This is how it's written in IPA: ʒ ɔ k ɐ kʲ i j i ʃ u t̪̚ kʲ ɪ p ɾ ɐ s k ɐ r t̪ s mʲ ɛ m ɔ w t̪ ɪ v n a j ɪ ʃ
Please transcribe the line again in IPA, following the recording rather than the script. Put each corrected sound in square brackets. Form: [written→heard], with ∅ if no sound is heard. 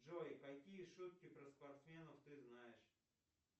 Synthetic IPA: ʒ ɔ k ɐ kʲ i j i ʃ u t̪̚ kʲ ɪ p ɾ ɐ s [k→p] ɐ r t̪ s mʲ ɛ [m→n] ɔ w t̪ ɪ [v→z] n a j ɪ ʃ

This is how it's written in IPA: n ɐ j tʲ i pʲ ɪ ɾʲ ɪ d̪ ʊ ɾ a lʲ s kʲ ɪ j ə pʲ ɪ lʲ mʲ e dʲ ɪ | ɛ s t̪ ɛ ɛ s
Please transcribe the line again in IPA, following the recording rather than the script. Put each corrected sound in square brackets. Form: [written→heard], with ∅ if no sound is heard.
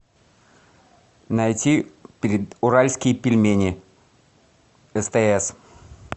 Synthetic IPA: n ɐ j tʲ i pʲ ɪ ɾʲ ɪ d̪ ʊ ɾ a lʲ s kʲ ɪ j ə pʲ ɪ lʲ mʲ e [dʲ→nʲ] ɪ | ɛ s t̪ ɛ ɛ s

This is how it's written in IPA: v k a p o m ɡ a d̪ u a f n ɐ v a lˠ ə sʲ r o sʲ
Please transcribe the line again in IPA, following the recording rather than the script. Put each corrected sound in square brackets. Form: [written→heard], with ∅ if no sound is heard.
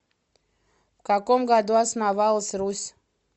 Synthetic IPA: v k a [p→k] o m ɡ a d̪ u a [f→s] n [ɐ→a] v a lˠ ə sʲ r [o→u] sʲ

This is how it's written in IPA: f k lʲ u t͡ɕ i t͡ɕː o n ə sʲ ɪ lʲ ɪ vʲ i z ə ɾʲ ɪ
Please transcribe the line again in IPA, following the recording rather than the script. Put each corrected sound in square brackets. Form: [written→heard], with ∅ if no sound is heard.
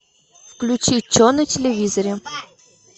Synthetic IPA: f k lʲ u t͡ɕ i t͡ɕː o n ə [sʲ→tʲ] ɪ lʲ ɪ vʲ i z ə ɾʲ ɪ

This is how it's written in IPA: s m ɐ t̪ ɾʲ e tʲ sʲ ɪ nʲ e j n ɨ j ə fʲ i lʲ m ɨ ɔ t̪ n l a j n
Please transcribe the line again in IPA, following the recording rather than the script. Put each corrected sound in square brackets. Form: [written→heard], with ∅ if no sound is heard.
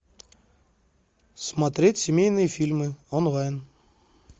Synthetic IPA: s m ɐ t̪ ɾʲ e tʲ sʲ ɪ [nʲ→mʲ] e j n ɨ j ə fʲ i lʲ m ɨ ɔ [t̪→∅] n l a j n

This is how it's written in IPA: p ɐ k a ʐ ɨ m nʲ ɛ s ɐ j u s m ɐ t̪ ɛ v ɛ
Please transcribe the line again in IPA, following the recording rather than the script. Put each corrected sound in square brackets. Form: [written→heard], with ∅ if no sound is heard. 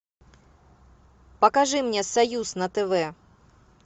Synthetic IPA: p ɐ k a ʐ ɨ m nʲ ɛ s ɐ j u s [m→n] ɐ t̪ ɛ v ɛ

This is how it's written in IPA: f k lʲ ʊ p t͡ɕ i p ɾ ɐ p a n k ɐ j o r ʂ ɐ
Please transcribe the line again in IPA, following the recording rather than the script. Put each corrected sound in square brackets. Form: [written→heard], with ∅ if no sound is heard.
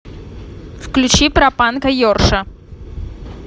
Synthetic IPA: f k lʲ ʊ [p→∅] t͡ɕ i p ɾ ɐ p a n k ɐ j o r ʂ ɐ

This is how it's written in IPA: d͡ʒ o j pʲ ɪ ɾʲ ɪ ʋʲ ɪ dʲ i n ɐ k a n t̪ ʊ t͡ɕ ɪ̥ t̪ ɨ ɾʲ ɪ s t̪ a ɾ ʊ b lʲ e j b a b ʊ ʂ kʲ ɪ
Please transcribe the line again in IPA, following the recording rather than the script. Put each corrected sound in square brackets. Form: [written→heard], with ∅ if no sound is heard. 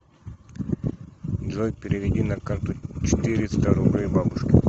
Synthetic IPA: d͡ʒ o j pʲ ɪ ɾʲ ɪ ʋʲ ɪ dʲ i n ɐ k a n t̪ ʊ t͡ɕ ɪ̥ t̪ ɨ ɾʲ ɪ s t̪ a ɾ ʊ b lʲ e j b a b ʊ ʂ kʲ ɪ

